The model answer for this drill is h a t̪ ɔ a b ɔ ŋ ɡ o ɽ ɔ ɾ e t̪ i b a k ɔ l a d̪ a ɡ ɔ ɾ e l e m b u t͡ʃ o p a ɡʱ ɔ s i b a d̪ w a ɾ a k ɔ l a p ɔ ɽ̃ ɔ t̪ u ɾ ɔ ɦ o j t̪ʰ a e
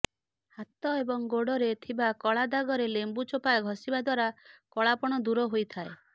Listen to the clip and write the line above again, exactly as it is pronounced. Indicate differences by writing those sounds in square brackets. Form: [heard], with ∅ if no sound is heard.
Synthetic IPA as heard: h a t̪ ɔ [e] b ɔ ŋ ɡ o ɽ ɔ ɾ e [t̪ʰ] i b a k ɔ [ɭ] a d̪ a ɡ ɔ ɾ e l e m b u t͡ʃ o p a ɡʱ ɔ s i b a d̪ w a ɾ a k ɔ [ɭ] a p ɔ ɽ̃ ɔ [d̪] u ɾ ɔ ɦ o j t̪ʰ a e